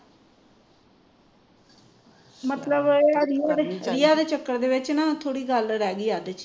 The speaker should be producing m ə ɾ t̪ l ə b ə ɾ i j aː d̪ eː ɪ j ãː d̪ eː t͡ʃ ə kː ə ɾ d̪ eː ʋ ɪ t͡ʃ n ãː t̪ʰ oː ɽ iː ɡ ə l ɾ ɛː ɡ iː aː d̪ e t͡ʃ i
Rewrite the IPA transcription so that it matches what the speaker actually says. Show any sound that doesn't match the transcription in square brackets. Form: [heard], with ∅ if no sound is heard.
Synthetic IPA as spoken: m ə [∅] t̪ l ə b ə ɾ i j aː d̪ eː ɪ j [aː] d̪ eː t͡ʃ ə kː ə ɾ d̪ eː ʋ ɪ t͡ʃ n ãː t̪ʰ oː ɽ iː ɡ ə l ɾ ɛː ɡ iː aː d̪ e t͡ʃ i